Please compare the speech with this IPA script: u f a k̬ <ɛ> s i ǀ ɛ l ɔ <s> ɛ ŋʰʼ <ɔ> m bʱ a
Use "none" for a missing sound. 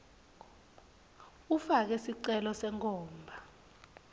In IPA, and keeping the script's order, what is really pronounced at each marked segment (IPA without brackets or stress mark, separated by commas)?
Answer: ɛ, s, ɔː